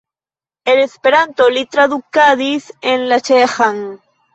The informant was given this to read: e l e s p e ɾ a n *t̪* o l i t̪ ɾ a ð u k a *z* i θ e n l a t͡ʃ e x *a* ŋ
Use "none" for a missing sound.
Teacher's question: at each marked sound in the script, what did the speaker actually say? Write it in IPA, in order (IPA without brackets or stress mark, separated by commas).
t̪, ð, a